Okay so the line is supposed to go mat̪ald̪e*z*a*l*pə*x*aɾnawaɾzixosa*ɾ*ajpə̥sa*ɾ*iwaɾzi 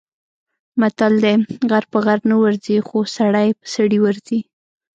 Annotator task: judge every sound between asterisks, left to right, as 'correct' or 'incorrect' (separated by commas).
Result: incorrect, incorrect, incorrect, incorrect, incorrect